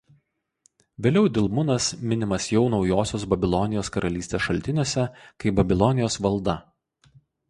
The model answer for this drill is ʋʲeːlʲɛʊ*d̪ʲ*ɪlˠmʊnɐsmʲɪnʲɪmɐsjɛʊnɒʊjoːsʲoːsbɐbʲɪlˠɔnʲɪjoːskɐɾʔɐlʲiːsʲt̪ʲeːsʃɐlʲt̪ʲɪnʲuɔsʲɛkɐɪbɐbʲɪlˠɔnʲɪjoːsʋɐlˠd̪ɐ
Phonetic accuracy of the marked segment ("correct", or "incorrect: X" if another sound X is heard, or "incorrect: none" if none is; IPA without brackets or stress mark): correct